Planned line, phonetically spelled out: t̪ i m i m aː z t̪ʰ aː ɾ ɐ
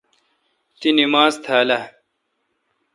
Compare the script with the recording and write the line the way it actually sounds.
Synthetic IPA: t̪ i n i m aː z t̪ʰ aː l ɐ